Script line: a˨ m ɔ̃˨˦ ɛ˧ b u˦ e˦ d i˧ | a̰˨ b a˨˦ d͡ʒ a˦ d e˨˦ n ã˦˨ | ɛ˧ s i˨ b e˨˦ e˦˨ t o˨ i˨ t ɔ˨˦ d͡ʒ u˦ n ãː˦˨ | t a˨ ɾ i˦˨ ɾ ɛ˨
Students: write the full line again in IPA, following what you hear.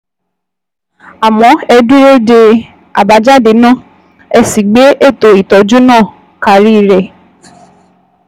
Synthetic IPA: a˨ m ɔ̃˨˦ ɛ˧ d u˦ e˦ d e˧ | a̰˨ b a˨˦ d͡ʒ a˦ d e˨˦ n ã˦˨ | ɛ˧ s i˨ ɡ͡b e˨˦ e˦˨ t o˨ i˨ t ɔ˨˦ d͡ʒ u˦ n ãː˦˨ | k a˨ ɾ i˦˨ ɾ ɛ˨